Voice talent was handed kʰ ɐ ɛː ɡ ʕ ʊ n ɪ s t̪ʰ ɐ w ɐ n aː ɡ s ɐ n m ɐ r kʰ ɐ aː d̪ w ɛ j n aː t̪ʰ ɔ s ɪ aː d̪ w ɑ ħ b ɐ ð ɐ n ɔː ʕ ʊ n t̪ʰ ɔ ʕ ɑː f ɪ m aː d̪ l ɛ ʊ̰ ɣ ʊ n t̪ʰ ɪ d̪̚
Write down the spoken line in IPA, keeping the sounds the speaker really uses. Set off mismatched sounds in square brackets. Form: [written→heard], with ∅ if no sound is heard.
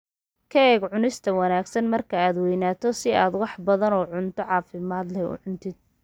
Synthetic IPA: kʰ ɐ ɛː ɡ ʕ ʊ n ɪ s t̪ʰ ɐ w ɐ n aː ɡ s ɐ n m ɐ r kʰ ɐ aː d̪ w ɛ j n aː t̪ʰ ɔ s ɪ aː d̪ w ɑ ħ b ɐ ð ɐ n ɔː ʕ ʊ n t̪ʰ ɔ ʕ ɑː f ɪ m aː d̪ l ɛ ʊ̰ [ɣ→ʕ] ʊ n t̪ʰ ɪ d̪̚